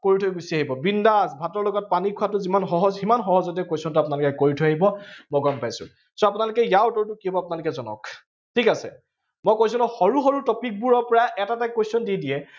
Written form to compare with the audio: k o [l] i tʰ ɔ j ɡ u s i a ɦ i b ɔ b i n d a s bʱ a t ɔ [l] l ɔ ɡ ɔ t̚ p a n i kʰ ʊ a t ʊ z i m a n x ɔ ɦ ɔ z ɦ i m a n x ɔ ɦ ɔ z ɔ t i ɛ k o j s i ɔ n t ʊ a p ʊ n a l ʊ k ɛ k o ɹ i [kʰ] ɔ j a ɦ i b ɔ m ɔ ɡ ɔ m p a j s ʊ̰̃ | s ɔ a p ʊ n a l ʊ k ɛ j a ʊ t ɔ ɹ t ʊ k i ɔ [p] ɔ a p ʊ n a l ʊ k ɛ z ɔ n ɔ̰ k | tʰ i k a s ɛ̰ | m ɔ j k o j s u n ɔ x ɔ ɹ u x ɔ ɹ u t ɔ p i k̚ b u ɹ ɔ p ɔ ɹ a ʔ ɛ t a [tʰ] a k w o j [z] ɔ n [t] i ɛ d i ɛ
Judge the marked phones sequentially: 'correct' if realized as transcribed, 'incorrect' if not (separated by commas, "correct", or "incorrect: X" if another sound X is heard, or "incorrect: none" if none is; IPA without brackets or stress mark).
incorrect: ɹ, incorrect: ɹ, incorrect: tʰ, incorrect: b, incorrect: t, incorrect: s, incorrect: d